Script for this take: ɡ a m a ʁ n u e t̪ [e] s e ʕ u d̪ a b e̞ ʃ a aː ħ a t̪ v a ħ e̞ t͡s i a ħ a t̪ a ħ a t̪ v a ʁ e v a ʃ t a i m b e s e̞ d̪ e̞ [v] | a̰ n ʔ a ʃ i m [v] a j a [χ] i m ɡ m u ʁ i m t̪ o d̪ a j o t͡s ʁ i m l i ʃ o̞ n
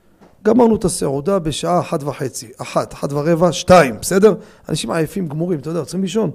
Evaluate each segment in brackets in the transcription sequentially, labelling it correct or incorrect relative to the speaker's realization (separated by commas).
incorrect, incorrect, incorrect, incorrect